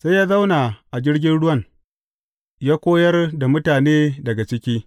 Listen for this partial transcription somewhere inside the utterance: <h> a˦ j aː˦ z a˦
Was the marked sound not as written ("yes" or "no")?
yes